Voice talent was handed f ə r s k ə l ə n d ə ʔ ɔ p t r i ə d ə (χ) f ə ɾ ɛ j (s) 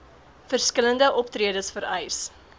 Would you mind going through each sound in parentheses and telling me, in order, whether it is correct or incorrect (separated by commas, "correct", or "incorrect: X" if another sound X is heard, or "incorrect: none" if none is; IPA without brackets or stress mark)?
incorrect: s, correct